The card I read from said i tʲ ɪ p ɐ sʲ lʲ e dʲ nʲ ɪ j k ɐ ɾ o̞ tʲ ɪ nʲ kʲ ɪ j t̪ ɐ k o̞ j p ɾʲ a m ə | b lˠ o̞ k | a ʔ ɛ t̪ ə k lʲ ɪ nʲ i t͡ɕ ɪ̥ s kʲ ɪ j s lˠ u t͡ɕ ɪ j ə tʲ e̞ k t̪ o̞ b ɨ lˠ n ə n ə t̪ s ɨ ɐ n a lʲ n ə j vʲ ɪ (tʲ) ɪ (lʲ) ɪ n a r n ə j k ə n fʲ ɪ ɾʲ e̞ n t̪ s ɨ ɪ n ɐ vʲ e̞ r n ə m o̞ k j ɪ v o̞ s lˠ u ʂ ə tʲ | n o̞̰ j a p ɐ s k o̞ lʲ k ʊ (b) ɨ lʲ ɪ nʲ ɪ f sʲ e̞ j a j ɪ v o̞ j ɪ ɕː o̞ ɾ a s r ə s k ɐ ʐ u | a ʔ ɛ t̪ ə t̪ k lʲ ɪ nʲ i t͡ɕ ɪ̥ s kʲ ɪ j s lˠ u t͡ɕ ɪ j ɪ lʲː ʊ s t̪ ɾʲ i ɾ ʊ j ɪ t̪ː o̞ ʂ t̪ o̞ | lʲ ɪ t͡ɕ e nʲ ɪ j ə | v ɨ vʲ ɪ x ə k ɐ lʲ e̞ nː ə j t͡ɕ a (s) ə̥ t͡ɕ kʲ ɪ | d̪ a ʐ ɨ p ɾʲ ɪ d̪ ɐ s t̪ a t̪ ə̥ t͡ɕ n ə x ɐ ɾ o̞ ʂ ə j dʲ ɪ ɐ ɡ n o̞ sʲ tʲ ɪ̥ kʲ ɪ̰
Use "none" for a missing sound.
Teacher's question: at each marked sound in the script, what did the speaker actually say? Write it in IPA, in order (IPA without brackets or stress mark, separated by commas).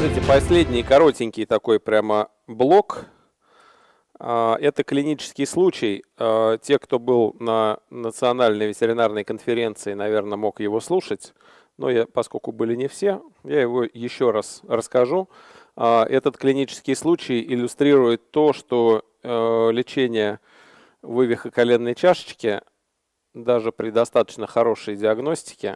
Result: tʲ, ɾʲ, b, ʂ